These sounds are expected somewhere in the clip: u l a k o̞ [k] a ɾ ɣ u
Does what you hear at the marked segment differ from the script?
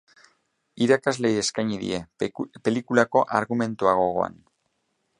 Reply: yes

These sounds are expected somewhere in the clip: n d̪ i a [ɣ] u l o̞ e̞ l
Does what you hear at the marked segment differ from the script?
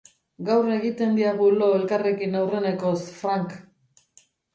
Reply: no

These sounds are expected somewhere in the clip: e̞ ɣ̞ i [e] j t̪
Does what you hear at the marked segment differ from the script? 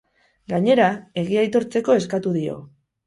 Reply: yes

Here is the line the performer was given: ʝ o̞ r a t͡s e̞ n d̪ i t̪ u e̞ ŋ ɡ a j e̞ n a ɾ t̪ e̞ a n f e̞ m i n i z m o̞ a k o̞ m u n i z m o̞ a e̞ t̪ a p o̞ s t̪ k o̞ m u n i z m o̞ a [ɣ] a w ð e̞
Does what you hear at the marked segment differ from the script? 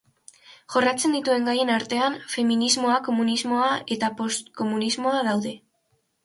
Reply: yes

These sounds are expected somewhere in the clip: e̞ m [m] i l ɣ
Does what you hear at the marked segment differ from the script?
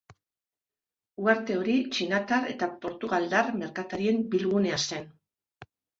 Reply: yes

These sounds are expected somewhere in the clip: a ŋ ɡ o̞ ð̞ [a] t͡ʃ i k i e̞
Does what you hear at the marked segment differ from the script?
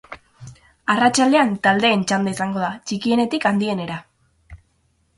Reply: no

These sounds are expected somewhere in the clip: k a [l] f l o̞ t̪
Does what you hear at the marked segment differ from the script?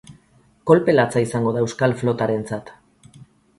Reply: no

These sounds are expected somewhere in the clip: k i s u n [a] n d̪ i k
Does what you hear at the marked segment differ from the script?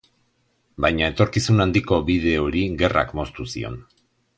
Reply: no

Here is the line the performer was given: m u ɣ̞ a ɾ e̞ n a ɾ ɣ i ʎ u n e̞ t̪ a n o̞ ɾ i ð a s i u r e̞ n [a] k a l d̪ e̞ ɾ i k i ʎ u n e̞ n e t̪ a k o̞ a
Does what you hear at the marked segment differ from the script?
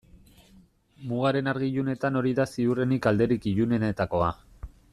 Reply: yes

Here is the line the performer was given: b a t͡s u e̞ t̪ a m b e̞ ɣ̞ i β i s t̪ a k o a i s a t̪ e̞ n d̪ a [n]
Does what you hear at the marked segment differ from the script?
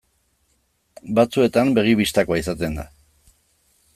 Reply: yes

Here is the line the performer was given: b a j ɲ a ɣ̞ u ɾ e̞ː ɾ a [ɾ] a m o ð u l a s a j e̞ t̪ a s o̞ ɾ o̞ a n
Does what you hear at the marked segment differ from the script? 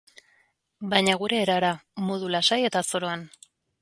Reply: no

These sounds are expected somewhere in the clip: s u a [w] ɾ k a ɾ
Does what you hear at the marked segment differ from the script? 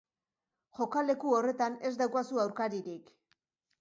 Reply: no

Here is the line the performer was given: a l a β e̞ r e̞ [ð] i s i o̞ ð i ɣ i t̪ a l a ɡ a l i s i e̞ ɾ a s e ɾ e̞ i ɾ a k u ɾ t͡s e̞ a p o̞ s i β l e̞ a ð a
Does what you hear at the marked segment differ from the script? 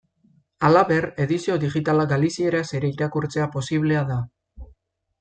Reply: no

